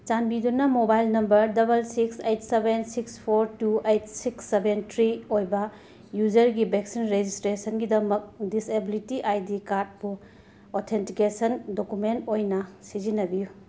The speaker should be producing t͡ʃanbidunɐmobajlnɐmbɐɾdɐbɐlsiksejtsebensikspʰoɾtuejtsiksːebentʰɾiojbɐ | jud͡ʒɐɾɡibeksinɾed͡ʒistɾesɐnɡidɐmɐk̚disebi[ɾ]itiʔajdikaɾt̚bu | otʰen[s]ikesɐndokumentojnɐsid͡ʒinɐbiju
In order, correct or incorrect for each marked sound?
incorrect, incorrect

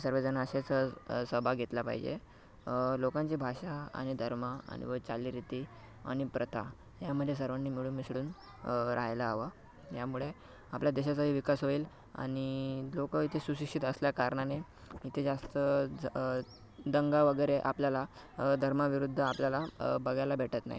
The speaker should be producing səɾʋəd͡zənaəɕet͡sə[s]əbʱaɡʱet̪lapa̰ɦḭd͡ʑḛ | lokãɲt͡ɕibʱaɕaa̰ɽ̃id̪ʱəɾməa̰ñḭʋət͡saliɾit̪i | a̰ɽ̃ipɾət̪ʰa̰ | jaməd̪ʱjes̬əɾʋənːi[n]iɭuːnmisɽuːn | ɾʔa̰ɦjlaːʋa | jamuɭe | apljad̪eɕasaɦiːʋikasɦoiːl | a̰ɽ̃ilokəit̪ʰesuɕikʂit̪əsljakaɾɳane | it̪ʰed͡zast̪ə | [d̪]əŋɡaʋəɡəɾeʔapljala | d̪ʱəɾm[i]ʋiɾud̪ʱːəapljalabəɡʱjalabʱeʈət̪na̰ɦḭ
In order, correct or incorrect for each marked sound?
correct, incorrect, correct, incorrect

